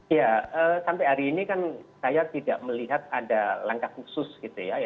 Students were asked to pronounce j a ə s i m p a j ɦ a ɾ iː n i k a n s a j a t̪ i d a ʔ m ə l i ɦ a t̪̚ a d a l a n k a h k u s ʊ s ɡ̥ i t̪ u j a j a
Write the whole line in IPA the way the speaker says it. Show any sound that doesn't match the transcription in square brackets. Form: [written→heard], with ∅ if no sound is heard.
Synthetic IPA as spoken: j a ə s [i→a] m p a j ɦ a ɾ iː n i k a n s a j a t̪ i d a ʔ m ə l i ɦ a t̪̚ a d a l a [n→ŋ] k a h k u s ʊ s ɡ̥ i t̪ u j a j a

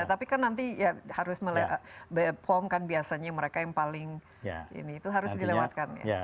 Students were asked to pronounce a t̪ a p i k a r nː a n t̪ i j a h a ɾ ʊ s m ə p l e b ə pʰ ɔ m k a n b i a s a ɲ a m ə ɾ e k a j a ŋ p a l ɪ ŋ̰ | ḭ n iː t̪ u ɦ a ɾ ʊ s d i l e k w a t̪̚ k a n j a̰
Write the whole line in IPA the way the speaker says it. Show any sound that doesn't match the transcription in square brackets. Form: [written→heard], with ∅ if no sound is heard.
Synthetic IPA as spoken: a t̪ a p i k a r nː a n t̪ i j a h a ɾ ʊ s m ə [p→∅] l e b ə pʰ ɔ m k a n b i a s a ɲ a m ə ɾ e k a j a ŋ p a l ɪ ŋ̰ | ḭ n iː t̪ u ɦ a ɾ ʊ s d i l e [k→∅] w a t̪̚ k a n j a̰

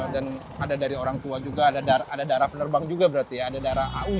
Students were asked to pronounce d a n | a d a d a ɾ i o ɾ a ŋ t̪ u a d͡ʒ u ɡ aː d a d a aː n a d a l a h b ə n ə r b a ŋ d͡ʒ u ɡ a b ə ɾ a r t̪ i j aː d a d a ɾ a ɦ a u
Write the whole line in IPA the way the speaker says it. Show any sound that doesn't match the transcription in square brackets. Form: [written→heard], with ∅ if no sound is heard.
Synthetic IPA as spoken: d a n | a d a d a ɾ i o ɾ a ŋ t̪ u a d͡ʒ u ɡ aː d a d a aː [n→d] a d a [l→ɾ] a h [b→p] ə n ə r b a ŋ d͡ʒ u ɡ a b ə ɾ a r t̪ i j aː d a d a ɾ a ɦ a u

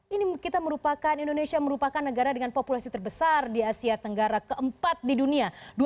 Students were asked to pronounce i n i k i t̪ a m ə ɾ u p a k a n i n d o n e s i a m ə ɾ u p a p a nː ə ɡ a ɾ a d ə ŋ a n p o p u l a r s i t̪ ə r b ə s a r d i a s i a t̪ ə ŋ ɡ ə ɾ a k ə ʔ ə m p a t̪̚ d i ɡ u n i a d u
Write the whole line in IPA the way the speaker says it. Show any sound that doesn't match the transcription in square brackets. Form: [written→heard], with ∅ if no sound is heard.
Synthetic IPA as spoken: i n i k i t̪ a m ə ɾ u p a k a n i n d o n e s i a m ə ɾ u p a [p→k] a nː ə ɡ a ɾ a d ə ŋ a n p o p u l a [r→∅] s i t̪ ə r b ə s a r d i a s i a t̪ ə ŋ ɡ [ə→a] ɾ a k ə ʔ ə m p a t̪̚ d i [ɡ→d] u n i a d u

